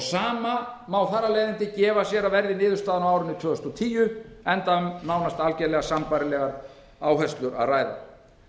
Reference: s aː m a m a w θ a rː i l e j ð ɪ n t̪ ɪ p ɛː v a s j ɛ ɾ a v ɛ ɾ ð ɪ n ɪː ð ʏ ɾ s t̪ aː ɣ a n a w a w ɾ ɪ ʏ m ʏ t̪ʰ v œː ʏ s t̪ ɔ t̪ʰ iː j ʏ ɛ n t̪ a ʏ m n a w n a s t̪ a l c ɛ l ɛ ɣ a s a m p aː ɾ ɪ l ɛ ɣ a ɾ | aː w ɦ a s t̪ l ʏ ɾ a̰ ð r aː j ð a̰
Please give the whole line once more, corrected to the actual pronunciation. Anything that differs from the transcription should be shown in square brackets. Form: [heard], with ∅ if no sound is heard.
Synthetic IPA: s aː m a m a w θ a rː [a] l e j ð ɪ n t̪ ɪ [c] ɛː v a s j ɛ ɾ a v ɛ ɾ ð ɪ n ɪː ð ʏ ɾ s t̪ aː [ð] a n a w a w ɾ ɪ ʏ [n] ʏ t̪ʰ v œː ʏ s t̪ ɔ t̪ʰ iː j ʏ ɛ n t̪ a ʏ m n a w n a s t̪ a l c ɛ l ɛ ɣ a s a m p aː ɾ ɪ l ɛ ɣ a ɾ | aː w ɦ [ɛ] s t̪ l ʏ ɾ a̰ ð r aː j ð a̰